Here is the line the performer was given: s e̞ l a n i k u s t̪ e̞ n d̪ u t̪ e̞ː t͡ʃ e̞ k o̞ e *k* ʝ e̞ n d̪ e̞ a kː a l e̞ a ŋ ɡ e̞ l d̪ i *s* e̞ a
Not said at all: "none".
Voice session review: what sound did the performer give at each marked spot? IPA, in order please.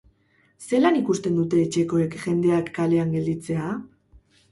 k, t͡s

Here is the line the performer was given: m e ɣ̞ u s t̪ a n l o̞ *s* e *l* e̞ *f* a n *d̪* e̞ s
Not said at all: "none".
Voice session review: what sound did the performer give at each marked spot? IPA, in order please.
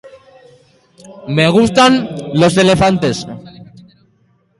s, l, f, t̪

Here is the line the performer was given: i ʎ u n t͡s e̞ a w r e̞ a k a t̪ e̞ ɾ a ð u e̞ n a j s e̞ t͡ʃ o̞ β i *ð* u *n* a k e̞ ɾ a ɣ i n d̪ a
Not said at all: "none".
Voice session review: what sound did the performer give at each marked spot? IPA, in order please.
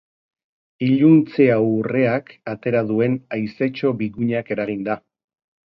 ɣ, ɲ

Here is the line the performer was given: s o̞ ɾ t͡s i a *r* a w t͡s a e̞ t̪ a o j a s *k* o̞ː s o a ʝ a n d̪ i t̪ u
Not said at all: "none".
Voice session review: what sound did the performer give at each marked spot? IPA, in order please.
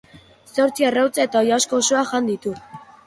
r, k

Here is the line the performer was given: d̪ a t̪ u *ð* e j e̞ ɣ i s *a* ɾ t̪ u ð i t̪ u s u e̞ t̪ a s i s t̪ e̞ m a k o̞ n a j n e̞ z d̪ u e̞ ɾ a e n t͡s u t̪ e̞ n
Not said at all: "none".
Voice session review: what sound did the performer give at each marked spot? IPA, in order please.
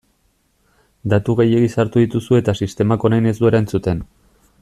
ɣ, a

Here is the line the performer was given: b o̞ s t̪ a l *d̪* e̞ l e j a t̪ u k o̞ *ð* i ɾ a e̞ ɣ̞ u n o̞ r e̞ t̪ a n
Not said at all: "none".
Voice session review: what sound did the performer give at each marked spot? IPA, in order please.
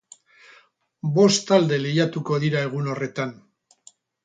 d̪, ð

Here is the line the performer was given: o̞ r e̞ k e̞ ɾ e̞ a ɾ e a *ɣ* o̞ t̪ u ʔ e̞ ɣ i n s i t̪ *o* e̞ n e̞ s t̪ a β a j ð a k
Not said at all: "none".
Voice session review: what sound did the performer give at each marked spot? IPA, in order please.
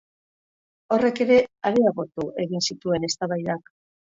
ɣ, u

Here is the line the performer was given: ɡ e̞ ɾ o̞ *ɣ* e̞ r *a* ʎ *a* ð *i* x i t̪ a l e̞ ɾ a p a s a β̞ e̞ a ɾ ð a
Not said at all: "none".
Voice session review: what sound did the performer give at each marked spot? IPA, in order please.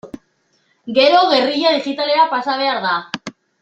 ɣ, i, a, i

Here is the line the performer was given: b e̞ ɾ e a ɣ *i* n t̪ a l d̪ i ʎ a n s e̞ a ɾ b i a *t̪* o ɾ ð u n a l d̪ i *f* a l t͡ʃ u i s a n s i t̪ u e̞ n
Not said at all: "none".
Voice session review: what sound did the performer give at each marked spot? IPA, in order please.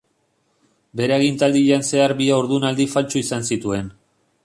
i, none, f

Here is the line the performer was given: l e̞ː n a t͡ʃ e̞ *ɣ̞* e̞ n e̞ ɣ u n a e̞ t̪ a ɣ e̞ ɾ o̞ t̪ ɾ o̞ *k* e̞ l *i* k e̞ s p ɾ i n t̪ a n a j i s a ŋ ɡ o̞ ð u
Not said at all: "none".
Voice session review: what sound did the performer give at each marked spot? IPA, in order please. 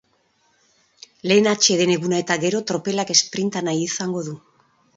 ð̞, p, a

